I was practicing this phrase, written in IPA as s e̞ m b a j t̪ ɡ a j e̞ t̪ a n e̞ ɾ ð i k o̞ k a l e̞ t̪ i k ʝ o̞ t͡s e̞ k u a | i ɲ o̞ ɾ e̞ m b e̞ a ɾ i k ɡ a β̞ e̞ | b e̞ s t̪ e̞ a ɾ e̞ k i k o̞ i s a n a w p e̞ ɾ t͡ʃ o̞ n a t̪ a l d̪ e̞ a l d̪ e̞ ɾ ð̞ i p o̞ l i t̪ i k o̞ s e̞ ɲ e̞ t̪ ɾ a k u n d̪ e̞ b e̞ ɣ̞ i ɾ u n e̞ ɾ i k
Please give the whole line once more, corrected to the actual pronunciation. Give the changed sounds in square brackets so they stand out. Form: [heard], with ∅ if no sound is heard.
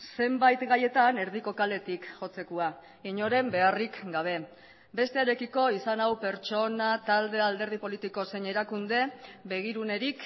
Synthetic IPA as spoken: s e̞ m b a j t̪ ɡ a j e̞ t̪ a n e̞ ɾ ð i k o̞ k a l e̞ t̪ i k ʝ o̞ t͡s e̞ k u a | i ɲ o̞ ɾ e̞ m b e̞ a [r] i k ɡ a β̞ e̞ | b e̞ s t̪ e̞ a ɾ e̞ k i k o̞ i s a n a w p e̞ ɾ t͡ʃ o̞ n a t̪ a l d̪ e̞ a l d̪ e̞ ɾ ð̞ i p o̞ l i t̪ i k o̞ s e̞ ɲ e̞ [∅] ɾ a k u n d̪ e̞ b e̞ ɣ̞ i ɾ u n e̞ ɾ i k